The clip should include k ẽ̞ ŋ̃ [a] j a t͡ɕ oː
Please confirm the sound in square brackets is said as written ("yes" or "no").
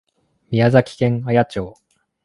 yes